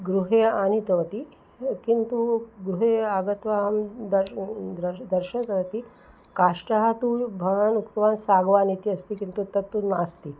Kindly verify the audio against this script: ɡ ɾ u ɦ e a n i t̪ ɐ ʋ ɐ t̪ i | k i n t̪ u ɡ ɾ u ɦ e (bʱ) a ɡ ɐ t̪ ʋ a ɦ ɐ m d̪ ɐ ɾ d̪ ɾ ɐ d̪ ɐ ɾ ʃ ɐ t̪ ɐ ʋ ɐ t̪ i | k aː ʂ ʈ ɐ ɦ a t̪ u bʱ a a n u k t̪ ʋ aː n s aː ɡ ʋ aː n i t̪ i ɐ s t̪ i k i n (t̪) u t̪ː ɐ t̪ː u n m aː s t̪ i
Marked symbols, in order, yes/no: no, yes

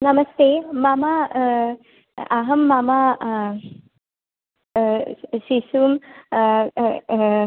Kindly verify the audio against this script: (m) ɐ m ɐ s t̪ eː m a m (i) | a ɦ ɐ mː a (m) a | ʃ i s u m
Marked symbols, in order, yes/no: no, no, yes

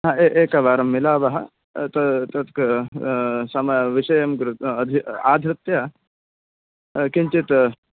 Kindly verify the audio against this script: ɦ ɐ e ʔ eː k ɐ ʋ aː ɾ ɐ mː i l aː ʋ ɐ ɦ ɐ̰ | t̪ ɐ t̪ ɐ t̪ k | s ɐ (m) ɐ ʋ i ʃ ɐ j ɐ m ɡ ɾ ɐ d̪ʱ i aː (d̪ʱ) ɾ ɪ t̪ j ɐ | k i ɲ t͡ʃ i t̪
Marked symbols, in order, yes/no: yes, yes

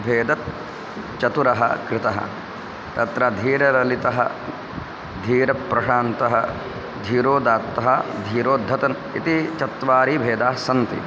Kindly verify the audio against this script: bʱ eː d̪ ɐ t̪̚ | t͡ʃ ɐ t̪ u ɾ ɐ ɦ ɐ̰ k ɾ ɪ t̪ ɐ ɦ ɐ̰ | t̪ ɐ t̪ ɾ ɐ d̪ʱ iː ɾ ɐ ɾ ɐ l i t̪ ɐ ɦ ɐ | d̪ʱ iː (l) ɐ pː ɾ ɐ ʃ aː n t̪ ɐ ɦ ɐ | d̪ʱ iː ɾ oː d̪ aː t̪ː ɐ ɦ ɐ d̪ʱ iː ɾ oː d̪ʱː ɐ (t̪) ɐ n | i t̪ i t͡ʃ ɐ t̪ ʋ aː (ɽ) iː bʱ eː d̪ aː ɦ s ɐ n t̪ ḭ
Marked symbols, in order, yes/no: no, yes, no

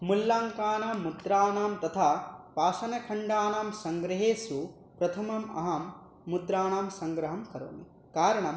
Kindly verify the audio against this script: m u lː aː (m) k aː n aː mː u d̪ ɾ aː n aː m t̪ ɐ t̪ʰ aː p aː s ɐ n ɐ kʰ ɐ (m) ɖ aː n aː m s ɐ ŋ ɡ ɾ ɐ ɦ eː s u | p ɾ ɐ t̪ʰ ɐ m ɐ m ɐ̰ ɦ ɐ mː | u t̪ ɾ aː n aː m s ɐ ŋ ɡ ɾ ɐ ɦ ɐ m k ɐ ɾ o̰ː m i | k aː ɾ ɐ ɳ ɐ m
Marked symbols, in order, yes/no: no, no

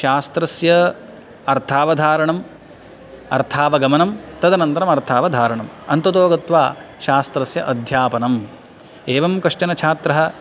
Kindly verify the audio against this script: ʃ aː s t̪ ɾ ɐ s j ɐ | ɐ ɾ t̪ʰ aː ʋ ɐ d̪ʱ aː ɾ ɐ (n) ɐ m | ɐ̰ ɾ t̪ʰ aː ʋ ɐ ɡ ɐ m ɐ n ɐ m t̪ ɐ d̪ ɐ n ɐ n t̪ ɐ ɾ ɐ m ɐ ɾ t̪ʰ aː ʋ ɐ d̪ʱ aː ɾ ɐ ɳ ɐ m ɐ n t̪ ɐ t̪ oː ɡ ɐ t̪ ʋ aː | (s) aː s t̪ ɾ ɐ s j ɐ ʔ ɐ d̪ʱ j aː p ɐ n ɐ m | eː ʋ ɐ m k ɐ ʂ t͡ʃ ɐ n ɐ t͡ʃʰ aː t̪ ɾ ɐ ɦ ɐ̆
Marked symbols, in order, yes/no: no, no

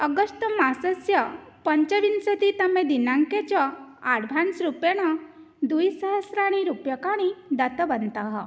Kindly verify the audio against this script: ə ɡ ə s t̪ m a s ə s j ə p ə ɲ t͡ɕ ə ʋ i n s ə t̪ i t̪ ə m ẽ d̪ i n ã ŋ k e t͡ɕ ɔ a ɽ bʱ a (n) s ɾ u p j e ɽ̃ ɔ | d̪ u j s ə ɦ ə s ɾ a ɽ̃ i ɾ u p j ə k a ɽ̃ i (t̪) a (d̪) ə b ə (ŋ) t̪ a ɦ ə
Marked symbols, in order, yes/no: yes, no, no, no

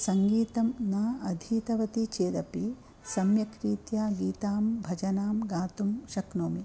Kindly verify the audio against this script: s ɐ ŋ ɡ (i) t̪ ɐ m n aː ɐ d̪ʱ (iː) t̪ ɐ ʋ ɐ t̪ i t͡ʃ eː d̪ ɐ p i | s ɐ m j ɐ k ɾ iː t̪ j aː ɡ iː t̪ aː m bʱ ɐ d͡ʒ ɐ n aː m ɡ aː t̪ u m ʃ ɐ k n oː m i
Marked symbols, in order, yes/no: no, yes

